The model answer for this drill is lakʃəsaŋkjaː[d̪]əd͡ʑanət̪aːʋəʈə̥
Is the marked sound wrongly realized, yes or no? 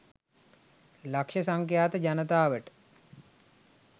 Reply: yes